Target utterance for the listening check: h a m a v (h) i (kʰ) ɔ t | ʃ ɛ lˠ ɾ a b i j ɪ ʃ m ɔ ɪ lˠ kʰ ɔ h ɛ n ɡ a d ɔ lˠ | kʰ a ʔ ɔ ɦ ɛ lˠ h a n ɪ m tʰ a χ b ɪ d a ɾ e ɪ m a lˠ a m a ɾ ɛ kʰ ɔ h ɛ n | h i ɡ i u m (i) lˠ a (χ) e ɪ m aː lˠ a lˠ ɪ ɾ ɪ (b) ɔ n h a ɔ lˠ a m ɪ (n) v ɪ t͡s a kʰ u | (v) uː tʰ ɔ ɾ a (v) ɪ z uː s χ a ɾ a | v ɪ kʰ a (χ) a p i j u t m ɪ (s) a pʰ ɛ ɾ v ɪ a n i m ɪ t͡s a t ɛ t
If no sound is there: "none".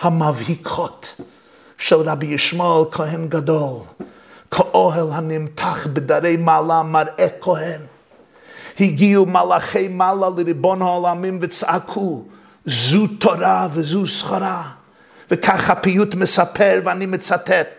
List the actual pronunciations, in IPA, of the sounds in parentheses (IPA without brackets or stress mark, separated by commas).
h, kʰ, a, χ, b, m, z, v, χ, s